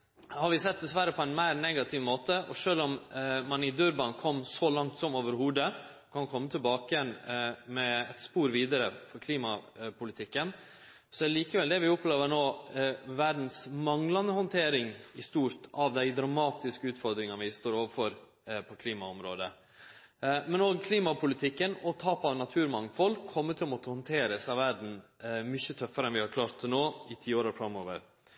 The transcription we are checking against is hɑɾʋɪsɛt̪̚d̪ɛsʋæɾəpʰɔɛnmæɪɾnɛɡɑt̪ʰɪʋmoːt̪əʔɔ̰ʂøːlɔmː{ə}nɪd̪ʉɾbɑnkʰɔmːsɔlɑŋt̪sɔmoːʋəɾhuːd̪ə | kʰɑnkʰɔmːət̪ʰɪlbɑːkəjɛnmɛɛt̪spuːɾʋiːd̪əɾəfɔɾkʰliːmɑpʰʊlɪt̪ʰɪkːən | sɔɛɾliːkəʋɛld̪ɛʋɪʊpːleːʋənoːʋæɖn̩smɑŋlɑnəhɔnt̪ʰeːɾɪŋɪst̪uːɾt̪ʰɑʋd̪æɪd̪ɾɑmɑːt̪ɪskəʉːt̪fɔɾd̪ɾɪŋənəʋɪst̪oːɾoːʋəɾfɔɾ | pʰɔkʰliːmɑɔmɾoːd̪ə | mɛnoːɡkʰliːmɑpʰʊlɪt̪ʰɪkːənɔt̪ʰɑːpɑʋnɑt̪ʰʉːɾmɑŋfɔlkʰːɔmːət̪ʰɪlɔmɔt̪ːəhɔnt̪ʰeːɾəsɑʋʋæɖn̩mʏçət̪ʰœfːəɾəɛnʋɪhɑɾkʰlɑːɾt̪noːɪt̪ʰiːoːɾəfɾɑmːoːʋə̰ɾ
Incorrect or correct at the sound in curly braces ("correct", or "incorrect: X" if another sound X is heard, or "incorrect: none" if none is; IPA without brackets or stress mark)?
incorrect: ɑ